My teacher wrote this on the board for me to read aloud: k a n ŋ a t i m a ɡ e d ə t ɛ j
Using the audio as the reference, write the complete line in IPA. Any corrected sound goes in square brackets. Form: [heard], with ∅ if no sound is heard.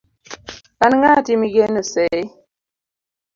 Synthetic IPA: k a n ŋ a t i m [i] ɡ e [n] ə [s] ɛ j